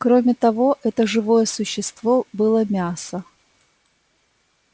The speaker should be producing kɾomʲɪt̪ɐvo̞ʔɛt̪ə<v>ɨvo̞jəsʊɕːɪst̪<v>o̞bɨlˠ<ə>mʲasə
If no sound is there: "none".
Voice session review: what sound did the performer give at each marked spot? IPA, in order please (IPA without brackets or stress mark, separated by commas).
ʐ, v, ə